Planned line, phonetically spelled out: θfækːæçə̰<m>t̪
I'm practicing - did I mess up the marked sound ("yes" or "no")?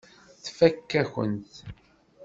yes